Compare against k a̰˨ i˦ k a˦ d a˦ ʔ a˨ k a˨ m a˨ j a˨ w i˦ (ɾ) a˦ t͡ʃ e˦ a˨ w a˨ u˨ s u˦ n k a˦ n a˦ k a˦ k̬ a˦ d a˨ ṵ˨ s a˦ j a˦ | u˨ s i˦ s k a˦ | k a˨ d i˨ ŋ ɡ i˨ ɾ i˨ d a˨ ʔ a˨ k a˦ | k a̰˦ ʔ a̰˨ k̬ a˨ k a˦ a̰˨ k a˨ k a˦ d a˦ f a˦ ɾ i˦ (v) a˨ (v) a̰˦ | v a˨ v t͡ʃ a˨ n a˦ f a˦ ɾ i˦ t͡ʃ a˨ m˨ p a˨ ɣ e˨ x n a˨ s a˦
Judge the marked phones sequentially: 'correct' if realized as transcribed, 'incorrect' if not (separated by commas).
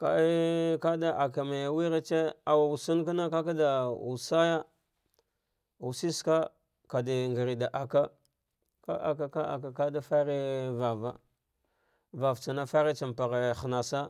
correct, correct, correct